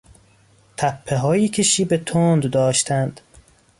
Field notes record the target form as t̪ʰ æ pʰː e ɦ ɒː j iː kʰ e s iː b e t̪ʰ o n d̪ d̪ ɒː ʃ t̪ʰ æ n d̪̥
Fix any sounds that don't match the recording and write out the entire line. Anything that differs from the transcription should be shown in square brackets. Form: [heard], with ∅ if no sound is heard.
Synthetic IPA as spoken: t̪ʰ æ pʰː e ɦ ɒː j iː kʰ e [ʃ] iː b e t̪ʰ o n d̪ d̪ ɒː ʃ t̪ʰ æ n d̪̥

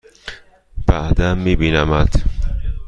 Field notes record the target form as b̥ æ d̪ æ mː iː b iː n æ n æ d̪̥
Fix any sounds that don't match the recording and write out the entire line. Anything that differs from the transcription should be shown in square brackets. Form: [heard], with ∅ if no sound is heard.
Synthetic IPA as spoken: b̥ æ d̪ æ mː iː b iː n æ [m] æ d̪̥

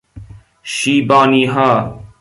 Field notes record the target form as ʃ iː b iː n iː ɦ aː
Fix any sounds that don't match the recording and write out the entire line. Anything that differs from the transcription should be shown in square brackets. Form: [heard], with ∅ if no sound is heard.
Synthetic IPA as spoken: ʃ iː b [aː] n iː ɦ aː

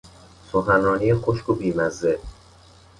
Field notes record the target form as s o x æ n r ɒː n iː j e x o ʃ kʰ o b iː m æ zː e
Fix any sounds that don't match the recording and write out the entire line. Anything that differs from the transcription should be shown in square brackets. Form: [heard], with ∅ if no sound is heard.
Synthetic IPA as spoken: s o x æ n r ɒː n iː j e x o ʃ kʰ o b iː m æ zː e

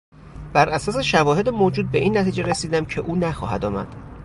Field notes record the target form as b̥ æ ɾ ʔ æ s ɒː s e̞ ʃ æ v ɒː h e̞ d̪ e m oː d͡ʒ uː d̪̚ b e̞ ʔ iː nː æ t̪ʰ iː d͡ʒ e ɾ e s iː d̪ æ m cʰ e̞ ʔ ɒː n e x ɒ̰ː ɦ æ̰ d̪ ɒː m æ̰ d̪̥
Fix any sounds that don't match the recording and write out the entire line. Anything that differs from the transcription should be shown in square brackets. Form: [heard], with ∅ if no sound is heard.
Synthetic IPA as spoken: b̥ æ ɾ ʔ æ s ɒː s e̞ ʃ æ v ɒː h e̞ d̪ e m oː d͡ʒ uː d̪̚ b e̞ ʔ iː nː æ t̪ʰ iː d͡ʒ e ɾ e s iː d̪ æ m cʰ e̞ ʔ [uː] n [æ] x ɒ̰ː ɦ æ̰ d̪ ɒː m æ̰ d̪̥

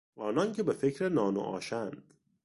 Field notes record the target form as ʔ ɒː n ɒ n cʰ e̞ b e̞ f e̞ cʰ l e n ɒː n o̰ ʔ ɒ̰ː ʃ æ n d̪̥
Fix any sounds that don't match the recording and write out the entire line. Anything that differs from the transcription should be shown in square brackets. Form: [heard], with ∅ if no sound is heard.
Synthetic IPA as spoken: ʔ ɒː n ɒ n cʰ e̞ b e̞ f e̞ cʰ [ɾ] e n ɒː n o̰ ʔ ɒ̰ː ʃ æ n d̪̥

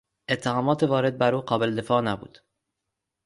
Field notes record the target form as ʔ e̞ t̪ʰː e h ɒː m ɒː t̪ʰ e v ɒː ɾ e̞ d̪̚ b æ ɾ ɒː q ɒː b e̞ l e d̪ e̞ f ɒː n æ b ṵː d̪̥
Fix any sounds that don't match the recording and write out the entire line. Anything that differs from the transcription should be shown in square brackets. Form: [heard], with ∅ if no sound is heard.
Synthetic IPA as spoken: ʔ e̞ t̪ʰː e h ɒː m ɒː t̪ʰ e v ɒː ɾ e̞ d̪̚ b æ ɾ [uː] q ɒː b e̞ l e d̪ e̞ f ɒː n æ b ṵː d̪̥

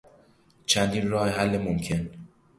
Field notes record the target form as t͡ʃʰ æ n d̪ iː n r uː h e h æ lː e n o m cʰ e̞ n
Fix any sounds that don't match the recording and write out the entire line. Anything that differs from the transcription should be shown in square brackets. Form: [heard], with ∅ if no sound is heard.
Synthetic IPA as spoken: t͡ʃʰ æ n d̪ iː n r [ɒː] h e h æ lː e [m] o m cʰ e̞ n

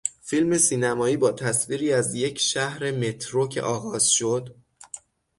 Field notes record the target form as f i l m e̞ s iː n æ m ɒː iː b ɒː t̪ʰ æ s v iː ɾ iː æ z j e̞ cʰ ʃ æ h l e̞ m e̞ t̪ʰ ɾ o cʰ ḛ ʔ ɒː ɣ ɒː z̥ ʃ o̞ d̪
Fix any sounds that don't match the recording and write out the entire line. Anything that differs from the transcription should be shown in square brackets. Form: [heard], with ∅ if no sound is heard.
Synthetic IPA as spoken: f i l m e̞ s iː n æ m ɒː iː b ɒː t̪ʰ æ s v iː ɾ iː æ z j e̞ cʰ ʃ æ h [ɾ] e̞ m e̞ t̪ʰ ɾ o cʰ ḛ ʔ ɒː ɣ ɒː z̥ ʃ o̞ d̪

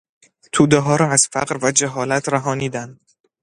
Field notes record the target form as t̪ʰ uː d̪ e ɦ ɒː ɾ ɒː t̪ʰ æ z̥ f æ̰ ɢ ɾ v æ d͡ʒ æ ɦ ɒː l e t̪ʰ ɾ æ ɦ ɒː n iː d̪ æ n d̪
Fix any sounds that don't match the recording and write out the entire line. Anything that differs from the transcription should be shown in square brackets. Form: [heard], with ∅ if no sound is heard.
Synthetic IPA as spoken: t̪ʰ uː d̪ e ɦ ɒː ɾ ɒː [∅] æ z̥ f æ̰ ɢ ɾ v æ d͡ʒ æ ɦ ɒː l [æ] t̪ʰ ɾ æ ɦ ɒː n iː d̪ æ n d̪

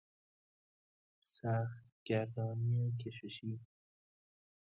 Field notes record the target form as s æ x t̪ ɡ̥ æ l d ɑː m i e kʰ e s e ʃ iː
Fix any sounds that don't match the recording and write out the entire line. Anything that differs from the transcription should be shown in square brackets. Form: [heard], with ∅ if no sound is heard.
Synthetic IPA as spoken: s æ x t̪ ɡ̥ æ [ɾ] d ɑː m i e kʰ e [ʃ] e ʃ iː

